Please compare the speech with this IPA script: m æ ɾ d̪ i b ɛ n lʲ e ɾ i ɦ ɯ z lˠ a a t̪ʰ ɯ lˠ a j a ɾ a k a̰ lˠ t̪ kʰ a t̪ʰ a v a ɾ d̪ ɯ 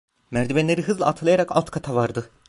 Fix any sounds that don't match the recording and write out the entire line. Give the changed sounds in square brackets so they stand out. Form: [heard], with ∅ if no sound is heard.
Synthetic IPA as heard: m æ ɾ d̪ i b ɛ n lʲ e ɾ i ɦ ɯ z lˠ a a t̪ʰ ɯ lˠ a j a ɾ a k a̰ lˠ t̪ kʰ a t̪ʰ a v a ɾ d̪ ɯ